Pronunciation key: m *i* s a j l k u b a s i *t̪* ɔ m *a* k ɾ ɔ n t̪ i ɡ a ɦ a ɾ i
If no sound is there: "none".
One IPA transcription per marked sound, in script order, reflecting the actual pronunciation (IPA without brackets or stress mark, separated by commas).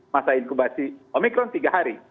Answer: a, none, i